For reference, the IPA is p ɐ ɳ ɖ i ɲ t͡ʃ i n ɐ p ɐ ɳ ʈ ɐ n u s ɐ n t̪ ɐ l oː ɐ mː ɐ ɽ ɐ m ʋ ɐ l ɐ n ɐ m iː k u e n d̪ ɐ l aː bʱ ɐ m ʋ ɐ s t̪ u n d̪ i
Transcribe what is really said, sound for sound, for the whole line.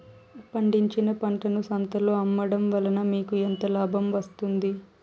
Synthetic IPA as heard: p ɐ ɳ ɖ i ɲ t͡ʃ i n ɐ p ɐ ɳ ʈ ɐ n u s ɐ n t̪ ɐ l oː ɐ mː ɐ ɽ ɐ m ʋ ɐ l ɐ n ɐ m iː k u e n t̪ ɐ l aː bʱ ɐ m ʋ ɐ s t̪ u n d̪ i